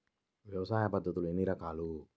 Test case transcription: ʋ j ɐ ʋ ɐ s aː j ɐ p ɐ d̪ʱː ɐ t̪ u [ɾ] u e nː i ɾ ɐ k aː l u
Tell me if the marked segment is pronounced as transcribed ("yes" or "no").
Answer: no